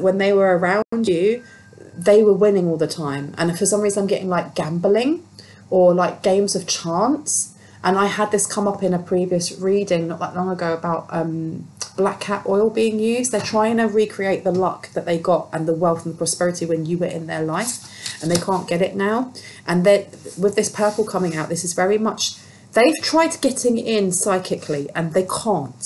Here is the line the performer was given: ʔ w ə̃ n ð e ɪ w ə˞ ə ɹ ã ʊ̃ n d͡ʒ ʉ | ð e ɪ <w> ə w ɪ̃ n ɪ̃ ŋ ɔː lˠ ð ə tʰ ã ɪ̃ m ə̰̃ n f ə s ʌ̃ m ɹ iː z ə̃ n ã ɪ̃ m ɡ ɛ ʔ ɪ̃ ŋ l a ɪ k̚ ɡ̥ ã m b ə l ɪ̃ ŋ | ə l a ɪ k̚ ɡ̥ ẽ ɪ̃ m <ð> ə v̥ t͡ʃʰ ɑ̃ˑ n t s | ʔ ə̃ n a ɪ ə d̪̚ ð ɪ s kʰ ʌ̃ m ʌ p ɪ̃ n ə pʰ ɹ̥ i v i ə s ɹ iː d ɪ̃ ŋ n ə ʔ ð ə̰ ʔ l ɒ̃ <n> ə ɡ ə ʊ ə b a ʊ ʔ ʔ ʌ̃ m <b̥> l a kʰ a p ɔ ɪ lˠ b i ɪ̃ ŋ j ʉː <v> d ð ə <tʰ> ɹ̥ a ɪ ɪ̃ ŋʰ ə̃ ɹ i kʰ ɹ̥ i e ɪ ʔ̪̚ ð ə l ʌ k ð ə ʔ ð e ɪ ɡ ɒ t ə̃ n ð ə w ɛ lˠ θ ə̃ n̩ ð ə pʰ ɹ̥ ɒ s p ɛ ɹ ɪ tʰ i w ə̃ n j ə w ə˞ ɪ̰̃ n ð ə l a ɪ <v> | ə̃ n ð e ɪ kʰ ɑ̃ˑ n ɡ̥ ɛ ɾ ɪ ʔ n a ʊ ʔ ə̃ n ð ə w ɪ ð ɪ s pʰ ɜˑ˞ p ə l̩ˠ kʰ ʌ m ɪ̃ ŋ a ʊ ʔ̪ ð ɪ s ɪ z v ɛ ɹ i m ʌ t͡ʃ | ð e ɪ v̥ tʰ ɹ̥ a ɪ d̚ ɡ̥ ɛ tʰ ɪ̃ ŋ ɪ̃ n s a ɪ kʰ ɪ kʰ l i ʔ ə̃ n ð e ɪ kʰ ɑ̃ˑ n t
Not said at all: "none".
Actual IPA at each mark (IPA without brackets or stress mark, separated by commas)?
w, z, ŋ, b̥, z, tʰ, f